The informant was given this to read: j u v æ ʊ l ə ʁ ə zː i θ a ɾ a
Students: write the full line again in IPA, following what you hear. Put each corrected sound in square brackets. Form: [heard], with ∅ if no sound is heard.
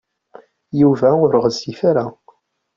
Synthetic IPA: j u v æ ʊ [ɾ] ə ʁ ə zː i [f] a ɾ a